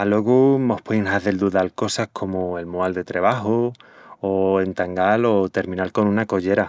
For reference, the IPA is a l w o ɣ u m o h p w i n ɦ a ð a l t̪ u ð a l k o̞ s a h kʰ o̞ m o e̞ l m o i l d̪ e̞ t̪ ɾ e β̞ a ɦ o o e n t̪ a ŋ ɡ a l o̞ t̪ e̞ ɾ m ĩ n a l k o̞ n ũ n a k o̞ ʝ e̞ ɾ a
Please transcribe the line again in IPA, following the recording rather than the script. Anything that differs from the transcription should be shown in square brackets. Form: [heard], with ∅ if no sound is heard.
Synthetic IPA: a l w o ɣ u m o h p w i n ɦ a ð [e] l [d̪] u ð a l k o̞ s a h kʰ o̞ m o e̞ l m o [a] l d̪ e̞ t̪ ɾ e β̞ a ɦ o o e n t̪ a ŋ ɡ a l o̞ t̪ e̞ ɾ m ĩ n a l k o̞ n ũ n a k o̞ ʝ e̞ ɾ a